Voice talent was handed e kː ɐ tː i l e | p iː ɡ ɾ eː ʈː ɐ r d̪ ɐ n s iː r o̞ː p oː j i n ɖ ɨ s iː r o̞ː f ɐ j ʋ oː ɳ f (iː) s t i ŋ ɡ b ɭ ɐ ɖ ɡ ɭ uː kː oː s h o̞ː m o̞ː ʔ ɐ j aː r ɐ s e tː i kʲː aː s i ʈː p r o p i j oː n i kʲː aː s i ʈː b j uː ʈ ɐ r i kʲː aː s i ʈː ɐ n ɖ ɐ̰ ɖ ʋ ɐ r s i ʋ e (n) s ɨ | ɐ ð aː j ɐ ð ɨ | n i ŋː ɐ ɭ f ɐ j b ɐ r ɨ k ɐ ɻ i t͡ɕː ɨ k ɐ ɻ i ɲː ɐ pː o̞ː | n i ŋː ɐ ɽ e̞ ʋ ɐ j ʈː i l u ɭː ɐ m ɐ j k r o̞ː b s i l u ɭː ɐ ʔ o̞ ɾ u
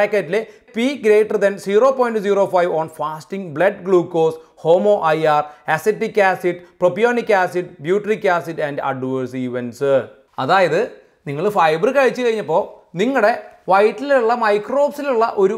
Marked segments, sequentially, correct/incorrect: incorrect: aː, correct

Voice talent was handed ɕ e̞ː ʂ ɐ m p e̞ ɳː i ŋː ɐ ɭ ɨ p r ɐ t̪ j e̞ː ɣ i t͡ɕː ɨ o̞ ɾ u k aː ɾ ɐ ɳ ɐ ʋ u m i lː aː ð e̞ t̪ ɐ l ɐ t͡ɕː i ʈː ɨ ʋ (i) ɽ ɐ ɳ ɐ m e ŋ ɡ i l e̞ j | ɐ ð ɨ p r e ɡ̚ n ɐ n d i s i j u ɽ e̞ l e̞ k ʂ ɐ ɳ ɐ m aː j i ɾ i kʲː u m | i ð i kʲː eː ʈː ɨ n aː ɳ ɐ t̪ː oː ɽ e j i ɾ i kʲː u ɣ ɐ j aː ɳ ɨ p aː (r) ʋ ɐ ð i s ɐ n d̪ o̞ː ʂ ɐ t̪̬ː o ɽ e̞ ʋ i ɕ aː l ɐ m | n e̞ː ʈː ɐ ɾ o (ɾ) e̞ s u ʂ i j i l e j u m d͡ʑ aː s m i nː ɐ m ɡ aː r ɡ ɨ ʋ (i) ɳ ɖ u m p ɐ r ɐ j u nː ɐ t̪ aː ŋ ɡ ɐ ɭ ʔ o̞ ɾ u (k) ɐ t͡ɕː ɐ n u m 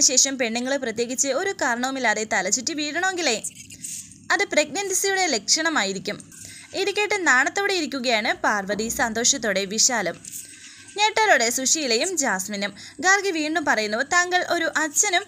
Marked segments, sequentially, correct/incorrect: incorrect: iː, correct, incorrect: ɽ, incorrect: iː, incorrect: ʔ

